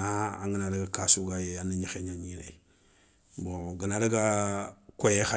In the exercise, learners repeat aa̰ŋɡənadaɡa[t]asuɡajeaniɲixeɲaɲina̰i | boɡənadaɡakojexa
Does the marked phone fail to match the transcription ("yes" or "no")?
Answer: yes